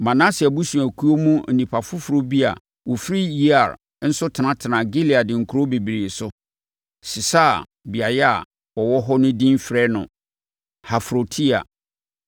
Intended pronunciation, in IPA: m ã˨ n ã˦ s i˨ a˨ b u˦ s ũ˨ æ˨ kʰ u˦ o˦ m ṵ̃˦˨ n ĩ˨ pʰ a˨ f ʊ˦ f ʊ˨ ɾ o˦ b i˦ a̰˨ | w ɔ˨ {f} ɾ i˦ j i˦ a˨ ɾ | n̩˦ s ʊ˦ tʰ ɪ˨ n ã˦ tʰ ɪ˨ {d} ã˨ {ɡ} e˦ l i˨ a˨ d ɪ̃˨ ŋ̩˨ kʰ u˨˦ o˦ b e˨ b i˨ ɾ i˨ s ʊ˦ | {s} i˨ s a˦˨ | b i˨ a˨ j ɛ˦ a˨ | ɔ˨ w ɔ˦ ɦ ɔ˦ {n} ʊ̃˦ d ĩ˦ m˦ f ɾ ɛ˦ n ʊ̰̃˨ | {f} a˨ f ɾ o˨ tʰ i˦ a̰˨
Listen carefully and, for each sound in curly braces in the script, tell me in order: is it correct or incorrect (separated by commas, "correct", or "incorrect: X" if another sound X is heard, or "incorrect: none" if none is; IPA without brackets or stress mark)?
correct, incorrect: n, correct, correct, correct, incorrect: h